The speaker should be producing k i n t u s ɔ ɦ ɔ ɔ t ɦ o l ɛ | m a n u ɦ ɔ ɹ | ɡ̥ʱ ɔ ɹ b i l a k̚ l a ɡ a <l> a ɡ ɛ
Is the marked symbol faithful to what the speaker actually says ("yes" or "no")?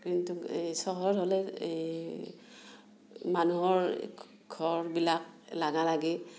yes